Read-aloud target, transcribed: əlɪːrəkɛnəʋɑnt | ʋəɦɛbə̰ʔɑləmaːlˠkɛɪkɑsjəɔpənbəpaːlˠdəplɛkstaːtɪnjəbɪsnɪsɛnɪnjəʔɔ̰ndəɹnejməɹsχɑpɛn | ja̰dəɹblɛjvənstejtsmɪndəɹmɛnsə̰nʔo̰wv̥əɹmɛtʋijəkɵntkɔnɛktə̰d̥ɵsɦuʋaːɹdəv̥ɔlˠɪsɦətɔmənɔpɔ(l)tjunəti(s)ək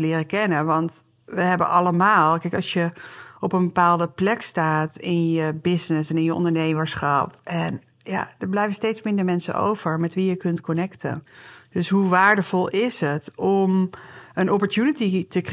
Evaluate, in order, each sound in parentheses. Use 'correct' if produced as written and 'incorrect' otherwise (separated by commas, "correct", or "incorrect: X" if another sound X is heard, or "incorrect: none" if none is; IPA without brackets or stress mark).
incorrect: ɹ, incorrect: t